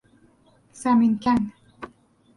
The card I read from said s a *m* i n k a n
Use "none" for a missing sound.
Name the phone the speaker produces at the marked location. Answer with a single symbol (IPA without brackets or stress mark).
m